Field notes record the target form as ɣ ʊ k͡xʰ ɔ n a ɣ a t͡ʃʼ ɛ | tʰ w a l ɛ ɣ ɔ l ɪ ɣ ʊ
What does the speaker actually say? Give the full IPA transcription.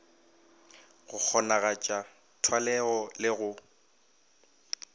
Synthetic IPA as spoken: ɣ ʊ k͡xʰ ɔ n a ɣ a t͡ʃʼ a | tʰ w a l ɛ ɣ ɔ l ɪ ɣ ʊ

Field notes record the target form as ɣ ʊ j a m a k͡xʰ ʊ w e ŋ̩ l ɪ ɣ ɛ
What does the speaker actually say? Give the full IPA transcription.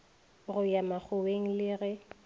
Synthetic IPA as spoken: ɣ ʊ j a m a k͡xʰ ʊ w e ŋ̩ l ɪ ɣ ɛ

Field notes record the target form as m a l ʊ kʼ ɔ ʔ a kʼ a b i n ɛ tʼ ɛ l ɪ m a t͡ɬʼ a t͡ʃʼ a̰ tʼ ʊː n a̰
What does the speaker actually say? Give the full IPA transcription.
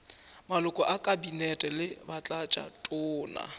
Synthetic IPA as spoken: m a l ʊ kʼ ɔ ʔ a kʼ a b i n ɛ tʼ ɛ l ɪ b a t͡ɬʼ a t͡ʃʼ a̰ tʼ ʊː n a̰

